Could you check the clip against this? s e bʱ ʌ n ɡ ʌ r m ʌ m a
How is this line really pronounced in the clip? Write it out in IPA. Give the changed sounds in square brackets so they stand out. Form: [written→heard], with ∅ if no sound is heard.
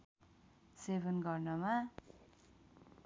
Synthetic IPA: s e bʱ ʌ n ɡ ʌ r [m→n] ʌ m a